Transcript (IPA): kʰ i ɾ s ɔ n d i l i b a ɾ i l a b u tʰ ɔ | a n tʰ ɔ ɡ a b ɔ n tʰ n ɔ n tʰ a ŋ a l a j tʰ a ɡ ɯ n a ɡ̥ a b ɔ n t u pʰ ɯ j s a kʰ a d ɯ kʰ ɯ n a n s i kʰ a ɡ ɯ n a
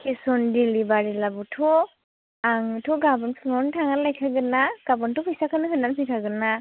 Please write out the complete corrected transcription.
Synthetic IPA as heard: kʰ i s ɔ n d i l i b a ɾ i l a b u tʰ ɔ | a ŋ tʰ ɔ ɡ a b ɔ n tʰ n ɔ n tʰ a ŋ a l a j kʰ a ɡ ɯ n a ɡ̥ a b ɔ n t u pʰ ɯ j s a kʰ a n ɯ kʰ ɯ n a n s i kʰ a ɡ ɯ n a

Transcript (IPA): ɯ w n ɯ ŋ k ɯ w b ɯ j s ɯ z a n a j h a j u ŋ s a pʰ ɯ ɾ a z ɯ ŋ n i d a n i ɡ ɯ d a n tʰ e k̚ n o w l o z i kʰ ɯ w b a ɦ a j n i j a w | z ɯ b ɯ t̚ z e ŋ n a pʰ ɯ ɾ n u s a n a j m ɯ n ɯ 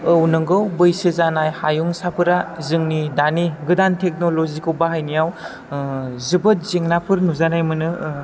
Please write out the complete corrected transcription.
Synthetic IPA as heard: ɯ w n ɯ ŋ ɡ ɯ w b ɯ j s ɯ z a n a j h a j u ŋ s a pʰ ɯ ɾ a z ɯ ŋ n i d a n i ɡ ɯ d a n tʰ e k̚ n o l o z i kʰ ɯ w b a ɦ a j n i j a w | z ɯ b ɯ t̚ z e ŋ n a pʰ ɯ ɾ n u z a n a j m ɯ n ɯ

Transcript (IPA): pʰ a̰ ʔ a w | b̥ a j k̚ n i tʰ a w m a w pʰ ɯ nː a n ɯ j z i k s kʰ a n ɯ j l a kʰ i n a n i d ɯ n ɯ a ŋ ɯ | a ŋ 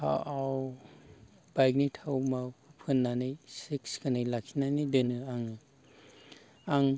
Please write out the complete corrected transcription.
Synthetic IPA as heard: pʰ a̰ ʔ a w | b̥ a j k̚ n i tʰ a w m a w pʰ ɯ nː a n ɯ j s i k s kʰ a n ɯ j l a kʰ i n a n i d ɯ n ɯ a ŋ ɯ | a ŋ

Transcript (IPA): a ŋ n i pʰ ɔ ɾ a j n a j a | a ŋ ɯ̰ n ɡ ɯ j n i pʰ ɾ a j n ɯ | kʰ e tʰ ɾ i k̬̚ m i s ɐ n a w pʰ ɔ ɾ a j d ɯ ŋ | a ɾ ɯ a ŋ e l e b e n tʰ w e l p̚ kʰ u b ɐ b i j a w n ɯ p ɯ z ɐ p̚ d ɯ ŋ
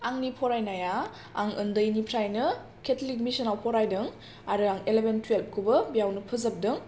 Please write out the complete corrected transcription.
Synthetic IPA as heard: a ŋ n i pʰ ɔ ɾ a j n a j a | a ŋ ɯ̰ n d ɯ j n i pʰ ɾ a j n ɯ | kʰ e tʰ l i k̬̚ m i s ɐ n a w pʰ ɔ ɾ a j d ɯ ŋ | a ɾ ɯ a ŋ e l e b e n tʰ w e l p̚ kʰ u b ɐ b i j a w n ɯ pʰ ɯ z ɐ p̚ d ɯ ŋ

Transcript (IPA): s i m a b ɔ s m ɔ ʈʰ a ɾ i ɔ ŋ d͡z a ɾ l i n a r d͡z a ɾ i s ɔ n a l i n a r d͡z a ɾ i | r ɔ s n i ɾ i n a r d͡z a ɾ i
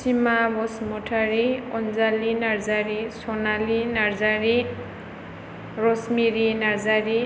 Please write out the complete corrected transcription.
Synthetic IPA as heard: s i m a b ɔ s m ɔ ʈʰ a ɾ i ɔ n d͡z a l i n a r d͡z a ɾ i s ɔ n a l i n a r d͡z a ɾ i | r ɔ s m i ɾ i n a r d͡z a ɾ i

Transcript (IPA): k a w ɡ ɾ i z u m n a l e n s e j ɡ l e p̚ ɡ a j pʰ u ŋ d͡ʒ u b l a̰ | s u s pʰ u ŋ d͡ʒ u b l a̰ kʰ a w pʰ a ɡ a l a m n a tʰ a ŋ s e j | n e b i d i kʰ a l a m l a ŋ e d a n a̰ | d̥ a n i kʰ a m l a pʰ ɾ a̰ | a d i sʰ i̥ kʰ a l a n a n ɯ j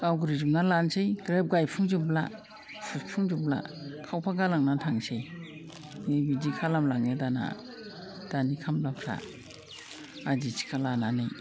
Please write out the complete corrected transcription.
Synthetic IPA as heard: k a w ɡ ɾ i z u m n a l a n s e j ɡ ɾ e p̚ ɡ a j pʰ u ŋ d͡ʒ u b l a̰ | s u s pʰ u ŋ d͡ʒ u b l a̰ kʰ a w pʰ a ɡ a l a ŋ n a tʰ a ŋ s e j | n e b i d i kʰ a l a m l a ŋ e d a n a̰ | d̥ a n i kʰ a m l a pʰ ɾ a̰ | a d i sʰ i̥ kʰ a l a n a n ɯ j

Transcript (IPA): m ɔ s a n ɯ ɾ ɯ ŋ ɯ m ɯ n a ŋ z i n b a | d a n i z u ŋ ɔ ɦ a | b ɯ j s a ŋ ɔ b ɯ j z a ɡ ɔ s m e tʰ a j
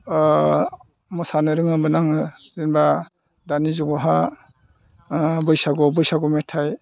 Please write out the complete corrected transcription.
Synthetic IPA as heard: m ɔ s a n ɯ ɾ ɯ ŋ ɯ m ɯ n a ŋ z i n b a | d a n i z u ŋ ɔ ɦ a | b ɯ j s a ɡ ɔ b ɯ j s a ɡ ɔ m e tʰ a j

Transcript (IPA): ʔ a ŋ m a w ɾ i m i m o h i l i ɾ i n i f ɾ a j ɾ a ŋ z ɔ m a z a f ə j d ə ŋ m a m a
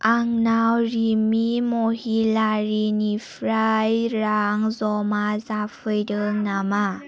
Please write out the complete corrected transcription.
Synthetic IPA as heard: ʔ a ŋ n a w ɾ i m i m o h i l a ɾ i n i f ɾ a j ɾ a ŋ z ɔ m a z a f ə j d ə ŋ n a m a

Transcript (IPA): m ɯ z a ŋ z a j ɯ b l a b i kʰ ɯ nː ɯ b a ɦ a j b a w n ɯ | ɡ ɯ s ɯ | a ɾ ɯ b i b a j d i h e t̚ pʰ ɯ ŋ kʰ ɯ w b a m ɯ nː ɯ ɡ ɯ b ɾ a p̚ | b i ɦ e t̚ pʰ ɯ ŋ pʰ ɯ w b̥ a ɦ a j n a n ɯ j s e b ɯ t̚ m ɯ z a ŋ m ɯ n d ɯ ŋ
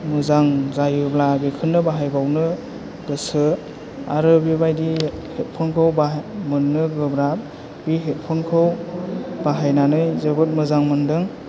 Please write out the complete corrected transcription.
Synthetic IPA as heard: m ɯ z a ŋ z a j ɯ b l a b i kʰ ɯ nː ɯ b a ɦ a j b a w n ɯ | ɡ ɯ s ɯ | a ɾ ɯ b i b a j d i h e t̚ pʰ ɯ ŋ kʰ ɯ w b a m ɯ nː ɯ ɡ ɯ b ɾ a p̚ | b i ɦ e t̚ pʰ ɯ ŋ kʰ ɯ w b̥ a ɦ a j n a n ɯ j z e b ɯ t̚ m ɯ z a ŋ m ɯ n d ɯ ŋ

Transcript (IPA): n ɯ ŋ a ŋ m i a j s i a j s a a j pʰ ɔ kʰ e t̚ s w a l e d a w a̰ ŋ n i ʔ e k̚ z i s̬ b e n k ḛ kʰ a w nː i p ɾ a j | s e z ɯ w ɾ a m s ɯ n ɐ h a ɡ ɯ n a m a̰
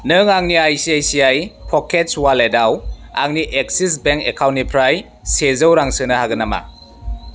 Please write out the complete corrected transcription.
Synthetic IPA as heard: n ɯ ŋ a ŋ n i a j s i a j s i a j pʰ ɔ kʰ e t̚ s w a l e d a w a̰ ŋ n i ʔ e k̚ s i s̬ b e ŋ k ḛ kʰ a w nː i pʰ ɾ a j | s e z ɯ w ɾ a ŋ s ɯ n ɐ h a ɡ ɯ n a m a̰

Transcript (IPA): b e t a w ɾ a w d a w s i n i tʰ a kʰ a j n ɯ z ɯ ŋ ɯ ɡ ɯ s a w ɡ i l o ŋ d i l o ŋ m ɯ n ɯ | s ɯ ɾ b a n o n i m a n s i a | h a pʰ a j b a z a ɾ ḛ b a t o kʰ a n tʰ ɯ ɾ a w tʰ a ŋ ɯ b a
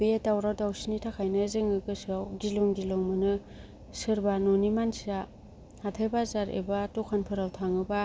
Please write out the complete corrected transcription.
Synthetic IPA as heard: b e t a w ɾ a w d a w s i n i tʰ a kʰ a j n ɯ z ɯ ŋ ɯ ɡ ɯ s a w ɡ i l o ŋ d i l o ŋ m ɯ n ɯ | s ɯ ɾ b a n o n i m a n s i a | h a tʰ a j b a z a ɾ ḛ b a t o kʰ a n pʰ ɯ ɾ a w tʰ a ŋ ɯ b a

